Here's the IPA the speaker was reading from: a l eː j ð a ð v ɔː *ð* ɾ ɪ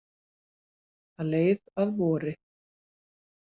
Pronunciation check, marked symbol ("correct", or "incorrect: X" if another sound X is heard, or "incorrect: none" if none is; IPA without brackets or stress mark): incorrect: none